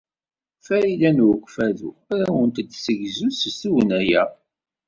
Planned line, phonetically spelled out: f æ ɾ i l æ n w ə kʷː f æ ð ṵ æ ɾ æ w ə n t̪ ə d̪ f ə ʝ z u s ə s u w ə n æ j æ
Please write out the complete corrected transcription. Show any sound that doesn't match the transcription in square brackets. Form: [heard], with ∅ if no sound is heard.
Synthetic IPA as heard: f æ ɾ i l æ n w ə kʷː f æ ð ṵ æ ɾ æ w ə n t̪ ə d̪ [s] ə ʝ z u s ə s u w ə n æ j æ